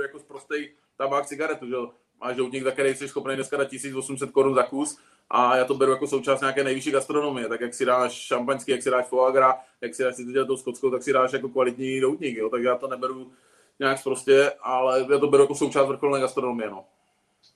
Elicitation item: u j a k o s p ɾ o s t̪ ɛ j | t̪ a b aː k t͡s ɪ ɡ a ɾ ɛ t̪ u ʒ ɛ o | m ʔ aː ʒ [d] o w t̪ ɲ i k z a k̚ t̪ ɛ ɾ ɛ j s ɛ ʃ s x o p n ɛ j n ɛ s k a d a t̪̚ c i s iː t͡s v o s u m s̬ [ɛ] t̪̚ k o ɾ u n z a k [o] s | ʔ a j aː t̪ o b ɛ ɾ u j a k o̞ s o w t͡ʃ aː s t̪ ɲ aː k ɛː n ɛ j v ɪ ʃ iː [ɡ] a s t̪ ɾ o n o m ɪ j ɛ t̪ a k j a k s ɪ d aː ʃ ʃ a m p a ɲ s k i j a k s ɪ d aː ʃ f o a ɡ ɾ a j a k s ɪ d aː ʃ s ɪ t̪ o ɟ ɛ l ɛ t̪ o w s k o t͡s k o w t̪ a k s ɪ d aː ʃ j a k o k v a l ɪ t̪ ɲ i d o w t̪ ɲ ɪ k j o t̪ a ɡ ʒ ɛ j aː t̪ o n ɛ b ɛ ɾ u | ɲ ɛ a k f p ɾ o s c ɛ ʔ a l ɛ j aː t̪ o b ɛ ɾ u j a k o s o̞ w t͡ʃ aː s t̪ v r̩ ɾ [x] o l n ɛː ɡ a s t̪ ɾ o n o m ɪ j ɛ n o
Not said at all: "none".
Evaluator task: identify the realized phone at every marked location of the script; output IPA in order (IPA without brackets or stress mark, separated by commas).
d, ɛ, u, ɡ, x